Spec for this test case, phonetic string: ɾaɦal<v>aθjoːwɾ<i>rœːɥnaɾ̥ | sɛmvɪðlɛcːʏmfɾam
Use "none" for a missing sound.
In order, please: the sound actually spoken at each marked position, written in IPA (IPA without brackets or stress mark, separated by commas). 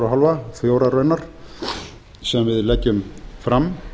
v, a